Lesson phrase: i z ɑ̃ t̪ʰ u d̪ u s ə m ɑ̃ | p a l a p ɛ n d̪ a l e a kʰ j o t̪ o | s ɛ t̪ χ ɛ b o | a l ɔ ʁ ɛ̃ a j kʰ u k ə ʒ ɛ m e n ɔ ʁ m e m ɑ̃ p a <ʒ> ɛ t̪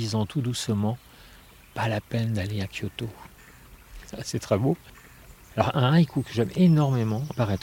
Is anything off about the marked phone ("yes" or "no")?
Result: yes